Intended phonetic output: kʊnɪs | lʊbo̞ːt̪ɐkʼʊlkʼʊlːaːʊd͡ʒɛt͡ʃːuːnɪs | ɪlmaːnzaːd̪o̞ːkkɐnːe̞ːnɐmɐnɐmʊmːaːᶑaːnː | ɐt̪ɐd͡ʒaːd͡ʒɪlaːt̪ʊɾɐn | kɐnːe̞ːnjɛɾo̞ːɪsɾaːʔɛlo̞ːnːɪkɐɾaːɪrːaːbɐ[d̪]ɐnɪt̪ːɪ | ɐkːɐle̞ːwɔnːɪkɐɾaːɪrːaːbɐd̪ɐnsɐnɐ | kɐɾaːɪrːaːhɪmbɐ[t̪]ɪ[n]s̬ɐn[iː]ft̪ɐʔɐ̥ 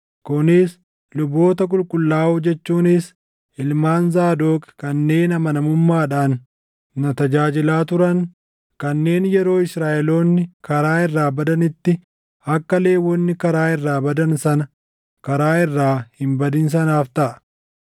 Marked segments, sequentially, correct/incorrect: correct, incorrect, correct, incorrect

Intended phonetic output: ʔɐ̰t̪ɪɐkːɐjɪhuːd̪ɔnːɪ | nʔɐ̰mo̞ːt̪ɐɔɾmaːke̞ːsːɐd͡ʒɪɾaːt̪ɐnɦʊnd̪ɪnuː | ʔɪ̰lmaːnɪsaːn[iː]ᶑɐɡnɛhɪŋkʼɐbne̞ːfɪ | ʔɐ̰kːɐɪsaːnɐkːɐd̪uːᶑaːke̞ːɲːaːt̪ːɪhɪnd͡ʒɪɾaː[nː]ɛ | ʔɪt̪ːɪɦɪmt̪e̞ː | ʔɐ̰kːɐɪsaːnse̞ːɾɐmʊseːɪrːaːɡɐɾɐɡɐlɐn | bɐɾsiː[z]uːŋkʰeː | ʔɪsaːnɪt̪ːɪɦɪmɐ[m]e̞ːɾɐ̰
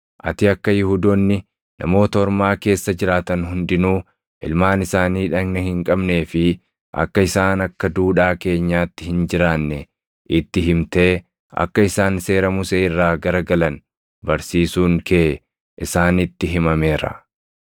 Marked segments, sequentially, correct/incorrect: correct, correct, incorrect, correct

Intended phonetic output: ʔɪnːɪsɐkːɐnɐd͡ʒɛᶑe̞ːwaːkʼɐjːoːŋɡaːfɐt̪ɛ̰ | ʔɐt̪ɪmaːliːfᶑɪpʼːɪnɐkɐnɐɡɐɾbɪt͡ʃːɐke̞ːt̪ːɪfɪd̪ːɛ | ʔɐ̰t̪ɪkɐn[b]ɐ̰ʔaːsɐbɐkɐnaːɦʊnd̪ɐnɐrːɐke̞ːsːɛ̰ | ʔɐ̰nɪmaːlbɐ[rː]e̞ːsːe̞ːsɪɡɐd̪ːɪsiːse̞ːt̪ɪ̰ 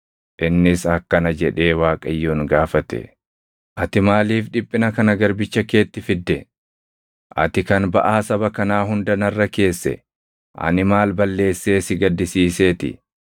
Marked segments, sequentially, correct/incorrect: correct, incorrect

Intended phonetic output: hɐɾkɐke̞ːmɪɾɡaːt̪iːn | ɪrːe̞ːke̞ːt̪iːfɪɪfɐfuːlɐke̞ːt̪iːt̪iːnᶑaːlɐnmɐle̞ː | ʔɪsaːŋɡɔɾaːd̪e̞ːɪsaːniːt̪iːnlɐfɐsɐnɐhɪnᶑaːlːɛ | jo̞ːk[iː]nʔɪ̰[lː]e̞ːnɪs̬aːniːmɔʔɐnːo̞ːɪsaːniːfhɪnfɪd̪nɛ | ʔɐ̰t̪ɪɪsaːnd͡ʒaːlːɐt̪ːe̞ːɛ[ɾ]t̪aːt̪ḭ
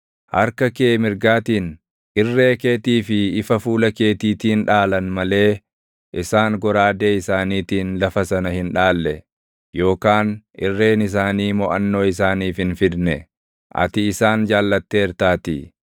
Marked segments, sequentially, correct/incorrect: incorrect, incorrect, correct

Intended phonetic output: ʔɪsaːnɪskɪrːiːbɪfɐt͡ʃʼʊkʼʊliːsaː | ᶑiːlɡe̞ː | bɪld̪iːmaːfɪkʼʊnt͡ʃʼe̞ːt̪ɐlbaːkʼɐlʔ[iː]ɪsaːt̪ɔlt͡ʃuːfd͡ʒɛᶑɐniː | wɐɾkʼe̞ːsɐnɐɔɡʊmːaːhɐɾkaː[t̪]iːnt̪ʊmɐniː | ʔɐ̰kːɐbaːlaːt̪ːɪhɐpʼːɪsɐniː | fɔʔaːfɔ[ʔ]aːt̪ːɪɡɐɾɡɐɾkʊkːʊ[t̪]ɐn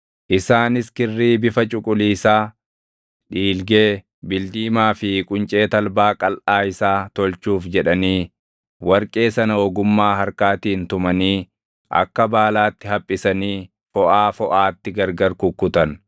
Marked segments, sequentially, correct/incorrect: incorrect, correct, correct, correct

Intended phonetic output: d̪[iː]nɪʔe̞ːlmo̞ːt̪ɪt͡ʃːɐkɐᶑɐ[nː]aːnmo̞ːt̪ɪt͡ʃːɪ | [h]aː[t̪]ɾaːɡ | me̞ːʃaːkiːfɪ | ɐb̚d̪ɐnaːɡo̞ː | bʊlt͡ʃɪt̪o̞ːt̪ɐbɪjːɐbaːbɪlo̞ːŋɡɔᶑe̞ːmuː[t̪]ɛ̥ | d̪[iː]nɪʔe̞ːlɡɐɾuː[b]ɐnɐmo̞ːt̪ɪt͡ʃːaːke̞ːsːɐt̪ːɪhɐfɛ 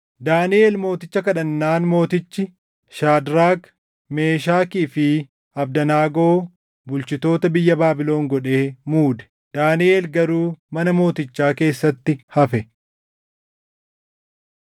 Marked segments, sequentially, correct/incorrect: incorrect, correct, incorrect, incorrect, incorrect, incorrect, incorrect

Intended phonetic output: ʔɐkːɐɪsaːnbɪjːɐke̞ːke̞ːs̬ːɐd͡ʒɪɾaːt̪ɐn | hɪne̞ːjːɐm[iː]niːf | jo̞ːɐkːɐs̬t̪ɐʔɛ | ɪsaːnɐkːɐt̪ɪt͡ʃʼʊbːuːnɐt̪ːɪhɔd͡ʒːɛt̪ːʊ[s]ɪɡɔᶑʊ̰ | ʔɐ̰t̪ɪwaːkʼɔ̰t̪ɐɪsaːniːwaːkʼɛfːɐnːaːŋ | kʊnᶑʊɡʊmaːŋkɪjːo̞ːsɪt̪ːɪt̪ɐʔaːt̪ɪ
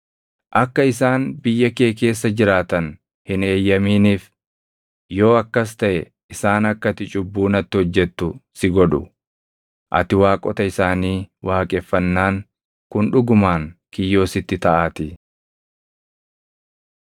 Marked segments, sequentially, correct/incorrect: correct, correct

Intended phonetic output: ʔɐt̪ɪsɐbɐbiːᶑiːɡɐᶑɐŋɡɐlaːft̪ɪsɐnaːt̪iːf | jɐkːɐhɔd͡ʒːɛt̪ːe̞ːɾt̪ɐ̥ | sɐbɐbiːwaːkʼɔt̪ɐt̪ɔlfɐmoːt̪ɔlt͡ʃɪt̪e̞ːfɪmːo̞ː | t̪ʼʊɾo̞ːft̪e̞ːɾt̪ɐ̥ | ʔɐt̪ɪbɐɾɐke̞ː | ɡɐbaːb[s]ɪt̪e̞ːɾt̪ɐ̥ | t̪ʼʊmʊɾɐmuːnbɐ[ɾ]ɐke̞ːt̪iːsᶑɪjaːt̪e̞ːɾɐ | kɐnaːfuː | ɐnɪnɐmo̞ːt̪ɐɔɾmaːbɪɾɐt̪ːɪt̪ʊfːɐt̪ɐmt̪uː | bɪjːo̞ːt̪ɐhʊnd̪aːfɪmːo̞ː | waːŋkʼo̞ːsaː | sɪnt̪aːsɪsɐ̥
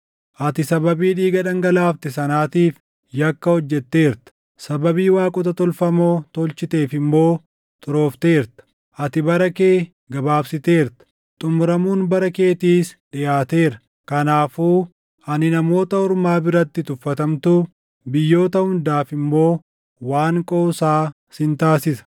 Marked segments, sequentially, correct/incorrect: correct, correct

